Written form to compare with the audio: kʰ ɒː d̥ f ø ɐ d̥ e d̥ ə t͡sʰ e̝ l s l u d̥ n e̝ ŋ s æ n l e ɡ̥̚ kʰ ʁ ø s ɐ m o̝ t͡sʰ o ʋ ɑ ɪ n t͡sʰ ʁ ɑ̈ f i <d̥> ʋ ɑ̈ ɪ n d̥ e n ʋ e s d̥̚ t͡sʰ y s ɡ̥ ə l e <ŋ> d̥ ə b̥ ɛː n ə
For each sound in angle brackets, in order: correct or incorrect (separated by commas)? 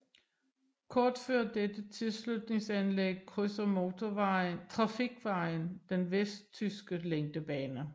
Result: incorrect, correct